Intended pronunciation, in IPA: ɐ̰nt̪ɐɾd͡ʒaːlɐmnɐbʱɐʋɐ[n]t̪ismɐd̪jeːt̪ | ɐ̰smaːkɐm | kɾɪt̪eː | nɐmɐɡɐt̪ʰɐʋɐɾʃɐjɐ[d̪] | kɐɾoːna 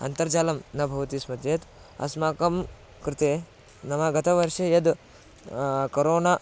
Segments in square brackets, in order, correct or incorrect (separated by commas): incorrect, correct